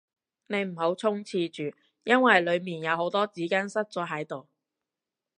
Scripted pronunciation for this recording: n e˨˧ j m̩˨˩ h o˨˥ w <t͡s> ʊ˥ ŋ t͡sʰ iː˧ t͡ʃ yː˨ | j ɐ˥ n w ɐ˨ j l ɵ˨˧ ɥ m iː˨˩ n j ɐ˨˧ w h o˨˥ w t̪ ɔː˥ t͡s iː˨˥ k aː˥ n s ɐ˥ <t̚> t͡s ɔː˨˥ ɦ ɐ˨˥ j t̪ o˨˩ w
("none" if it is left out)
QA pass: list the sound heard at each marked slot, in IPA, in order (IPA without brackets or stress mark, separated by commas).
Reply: t͡sʰ, t̚